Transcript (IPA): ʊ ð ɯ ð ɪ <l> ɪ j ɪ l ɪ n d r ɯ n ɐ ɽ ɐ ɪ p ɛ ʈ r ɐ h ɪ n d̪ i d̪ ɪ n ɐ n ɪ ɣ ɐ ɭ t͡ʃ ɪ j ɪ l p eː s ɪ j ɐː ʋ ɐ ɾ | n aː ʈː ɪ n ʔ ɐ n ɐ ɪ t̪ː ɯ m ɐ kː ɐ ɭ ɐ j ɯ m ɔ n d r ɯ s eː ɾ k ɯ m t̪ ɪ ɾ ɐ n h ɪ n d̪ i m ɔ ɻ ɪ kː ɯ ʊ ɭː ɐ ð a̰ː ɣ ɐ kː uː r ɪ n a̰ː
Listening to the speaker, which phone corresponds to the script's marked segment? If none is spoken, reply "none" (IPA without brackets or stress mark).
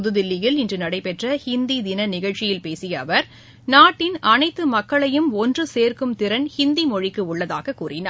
lː